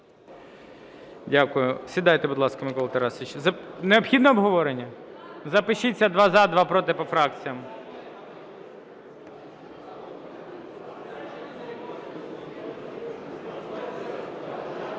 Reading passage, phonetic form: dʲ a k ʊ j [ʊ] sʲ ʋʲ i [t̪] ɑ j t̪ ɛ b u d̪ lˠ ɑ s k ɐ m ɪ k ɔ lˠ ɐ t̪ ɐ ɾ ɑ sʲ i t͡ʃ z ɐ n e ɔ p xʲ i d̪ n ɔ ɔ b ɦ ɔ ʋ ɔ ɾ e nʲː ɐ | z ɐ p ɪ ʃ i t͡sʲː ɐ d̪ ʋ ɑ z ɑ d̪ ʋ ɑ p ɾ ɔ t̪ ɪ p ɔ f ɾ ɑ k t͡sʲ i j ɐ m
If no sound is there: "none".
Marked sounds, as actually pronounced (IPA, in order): ʊ, d̪

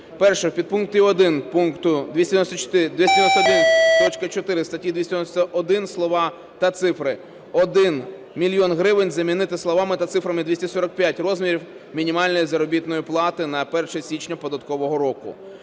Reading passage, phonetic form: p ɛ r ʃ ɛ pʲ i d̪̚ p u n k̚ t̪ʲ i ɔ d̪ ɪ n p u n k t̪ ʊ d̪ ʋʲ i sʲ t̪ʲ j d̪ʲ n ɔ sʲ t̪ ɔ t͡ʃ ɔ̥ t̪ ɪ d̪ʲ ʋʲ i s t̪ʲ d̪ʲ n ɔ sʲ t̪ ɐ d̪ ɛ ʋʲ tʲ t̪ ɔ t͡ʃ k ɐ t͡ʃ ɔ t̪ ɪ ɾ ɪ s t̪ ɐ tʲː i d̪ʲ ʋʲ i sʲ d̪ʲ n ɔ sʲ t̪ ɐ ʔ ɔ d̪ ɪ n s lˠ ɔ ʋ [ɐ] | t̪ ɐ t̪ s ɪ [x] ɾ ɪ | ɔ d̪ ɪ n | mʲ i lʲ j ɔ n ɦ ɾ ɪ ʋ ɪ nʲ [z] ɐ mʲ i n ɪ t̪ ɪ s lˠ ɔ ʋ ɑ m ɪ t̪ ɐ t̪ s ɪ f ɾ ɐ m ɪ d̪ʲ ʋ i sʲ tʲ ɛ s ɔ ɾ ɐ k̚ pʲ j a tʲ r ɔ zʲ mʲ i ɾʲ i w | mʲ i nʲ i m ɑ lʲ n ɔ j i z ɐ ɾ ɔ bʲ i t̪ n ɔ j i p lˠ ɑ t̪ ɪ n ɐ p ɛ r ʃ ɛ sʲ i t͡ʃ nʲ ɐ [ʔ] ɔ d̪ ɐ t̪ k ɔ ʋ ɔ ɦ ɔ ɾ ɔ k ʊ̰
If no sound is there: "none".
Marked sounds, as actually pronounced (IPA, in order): ɑ, f, z, p

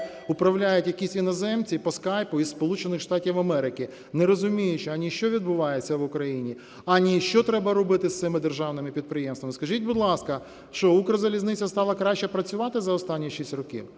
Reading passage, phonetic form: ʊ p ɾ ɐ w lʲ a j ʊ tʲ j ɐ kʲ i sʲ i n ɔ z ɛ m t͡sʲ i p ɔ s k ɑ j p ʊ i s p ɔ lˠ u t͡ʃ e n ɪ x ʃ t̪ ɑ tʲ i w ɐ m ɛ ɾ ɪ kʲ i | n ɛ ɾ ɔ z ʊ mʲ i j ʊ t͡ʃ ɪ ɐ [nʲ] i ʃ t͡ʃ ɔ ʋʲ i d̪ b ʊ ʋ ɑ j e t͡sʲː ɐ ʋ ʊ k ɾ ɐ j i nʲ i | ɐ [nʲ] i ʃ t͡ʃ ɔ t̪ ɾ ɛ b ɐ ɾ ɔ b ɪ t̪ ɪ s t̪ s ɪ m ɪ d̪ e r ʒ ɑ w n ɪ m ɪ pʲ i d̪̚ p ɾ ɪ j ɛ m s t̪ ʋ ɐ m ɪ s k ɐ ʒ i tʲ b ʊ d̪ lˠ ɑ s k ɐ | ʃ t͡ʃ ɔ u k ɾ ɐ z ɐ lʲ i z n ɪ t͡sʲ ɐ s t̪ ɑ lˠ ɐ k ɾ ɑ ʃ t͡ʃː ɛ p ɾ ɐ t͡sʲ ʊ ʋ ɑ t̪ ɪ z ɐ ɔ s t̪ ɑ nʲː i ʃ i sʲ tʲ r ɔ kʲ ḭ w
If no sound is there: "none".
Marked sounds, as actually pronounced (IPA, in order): nʲ, nʲ

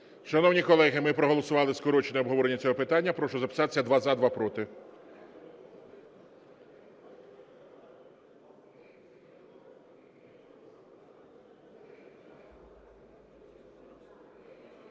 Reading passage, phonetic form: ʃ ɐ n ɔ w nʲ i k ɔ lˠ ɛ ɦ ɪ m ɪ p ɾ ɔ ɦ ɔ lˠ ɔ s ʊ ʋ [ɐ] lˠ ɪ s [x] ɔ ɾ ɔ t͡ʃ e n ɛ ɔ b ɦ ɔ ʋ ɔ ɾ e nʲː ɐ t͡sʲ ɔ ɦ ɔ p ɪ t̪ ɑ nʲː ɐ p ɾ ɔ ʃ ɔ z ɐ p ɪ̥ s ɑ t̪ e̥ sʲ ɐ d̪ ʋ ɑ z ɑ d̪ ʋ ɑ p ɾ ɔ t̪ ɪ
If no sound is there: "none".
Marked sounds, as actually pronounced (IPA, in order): ɑ, k

